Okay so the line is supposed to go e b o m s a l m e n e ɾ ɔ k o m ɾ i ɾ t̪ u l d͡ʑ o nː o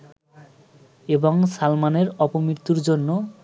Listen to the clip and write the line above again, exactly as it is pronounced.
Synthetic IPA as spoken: e b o ŋ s a l m a n e ɾ ɔ p o m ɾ i ɾ t̪ u ɾ d͡ʑ o nː o